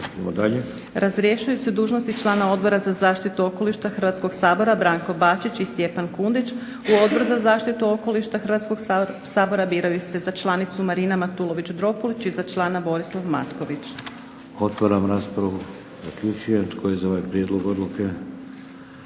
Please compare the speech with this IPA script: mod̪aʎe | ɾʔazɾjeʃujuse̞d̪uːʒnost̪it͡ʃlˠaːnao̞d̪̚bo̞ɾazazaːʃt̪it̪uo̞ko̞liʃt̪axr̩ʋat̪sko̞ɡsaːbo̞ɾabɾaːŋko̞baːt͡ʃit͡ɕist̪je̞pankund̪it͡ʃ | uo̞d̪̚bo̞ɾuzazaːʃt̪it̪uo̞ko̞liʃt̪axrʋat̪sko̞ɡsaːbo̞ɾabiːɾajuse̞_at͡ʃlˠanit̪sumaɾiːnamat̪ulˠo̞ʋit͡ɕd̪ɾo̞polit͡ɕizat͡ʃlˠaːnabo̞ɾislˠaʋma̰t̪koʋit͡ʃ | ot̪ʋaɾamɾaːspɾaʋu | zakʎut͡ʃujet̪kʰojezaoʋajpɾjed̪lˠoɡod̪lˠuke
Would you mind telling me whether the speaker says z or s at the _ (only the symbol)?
z